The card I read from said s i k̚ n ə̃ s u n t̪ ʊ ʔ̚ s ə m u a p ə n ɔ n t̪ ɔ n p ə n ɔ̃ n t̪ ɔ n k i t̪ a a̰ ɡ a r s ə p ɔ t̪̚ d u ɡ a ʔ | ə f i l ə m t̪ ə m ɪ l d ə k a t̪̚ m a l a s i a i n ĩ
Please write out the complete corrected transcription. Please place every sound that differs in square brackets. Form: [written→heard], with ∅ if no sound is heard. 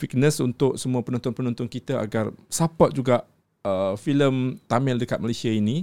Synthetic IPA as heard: [s→f] i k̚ n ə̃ s u n t̪ ʊ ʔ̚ s ə m u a p ə n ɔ n t̪ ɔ n p ə n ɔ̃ n t̪ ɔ n k i t̪ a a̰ ɡ a r s [ə→a] p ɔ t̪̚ [d→d͡ʒ] u ɡ a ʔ | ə f i l ə m t̪ [ə→a] m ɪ l d ə k a t̪̚ m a l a s i a i n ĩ